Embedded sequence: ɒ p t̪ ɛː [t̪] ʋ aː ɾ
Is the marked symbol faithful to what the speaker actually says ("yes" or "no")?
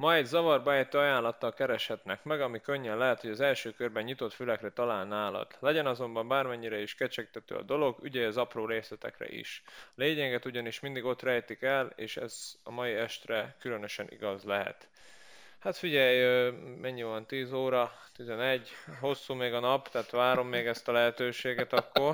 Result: yes